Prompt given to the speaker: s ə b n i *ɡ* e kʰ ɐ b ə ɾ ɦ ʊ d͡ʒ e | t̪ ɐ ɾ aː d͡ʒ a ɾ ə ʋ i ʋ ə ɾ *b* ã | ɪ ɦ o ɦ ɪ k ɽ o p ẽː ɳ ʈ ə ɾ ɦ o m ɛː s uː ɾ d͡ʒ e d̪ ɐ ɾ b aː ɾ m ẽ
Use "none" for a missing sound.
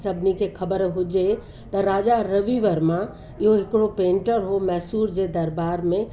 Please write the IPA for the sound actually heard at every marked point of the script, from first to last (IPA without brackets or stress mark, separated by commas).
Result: k, m